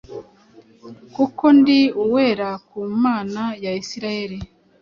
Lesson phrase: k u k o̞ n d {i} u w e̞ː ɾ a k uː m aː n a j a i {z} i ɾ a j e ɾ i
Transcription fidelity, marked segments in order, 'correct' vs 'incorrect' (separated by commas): correct, incorrect